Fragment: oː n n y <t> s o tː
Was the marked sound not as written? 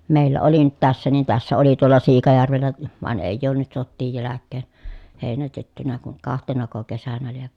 no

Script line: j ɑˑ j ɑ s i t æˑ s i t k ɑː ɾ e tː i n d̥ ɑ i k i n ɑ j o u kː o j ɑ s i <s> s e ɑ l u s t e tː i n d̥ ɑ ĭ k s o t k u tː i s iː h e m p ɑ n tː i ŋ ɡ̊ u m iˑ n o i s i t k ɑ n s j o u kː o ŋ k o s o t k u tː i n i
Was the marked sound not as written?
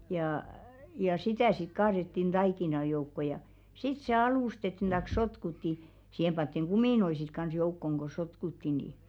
yes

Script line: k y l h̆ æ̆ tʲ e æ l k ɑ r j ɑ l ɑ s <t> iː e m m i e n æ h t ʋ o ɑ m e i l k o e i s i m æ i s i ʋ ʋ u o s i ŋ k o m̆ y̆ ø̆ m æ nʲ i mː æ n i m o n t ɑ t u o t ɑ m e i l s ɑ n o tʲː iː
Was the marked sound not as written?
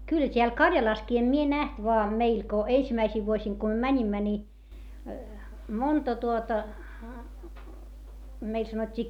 yes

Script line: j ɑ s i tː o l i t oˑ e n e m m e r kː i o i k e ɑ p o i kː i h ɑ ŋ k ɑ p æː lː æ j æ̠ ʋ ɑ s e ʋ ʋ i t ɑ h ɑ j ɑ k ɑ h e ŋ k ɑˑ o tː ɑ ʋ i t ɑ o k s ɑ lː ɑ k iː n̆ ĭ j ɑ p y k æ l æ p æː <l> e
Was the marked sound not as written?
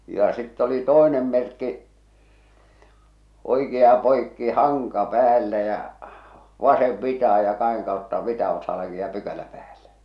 yes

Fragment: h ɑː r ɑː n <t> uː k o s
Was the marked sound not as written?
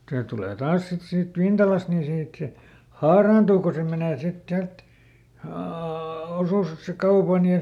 no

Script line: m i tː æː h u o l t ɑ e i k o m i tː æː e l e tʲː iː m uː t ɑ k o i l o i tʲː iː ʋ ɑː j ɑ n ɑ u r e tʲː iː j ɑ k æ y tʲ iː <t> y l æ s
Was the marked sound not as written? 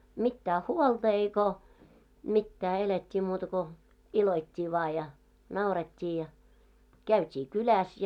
yes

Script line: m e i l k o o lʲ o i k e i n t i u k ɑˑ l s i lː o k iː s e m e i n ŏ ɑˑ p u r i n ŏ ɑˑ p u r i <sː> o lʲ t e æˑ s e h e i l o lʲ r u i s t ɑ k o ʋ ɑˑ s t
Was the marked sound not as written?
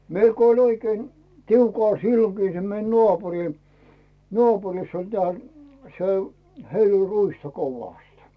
no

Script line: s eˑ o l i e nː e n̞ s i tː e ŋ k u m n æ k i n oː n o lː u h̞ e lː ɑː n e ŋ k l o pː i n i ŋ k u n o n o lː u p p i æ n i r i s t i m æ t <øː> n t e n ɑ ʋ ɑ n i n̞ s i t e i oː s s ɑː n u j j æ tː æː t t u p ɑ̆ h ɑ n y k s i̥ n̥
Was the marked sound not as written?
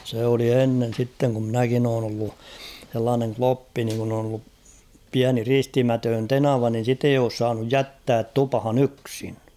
no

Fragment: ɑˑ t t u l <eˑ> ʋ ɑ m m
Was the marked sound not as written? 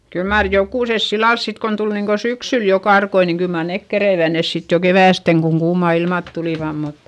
yes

